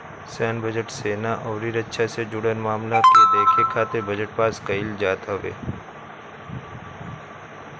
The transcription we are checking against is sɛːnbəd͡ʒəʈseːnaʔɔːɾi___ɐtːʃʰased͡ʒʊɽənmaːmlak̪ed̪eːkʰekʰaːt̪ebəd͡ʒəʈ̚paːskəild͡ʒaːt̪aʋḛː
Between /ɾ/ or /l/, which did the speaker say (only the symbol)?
ɾ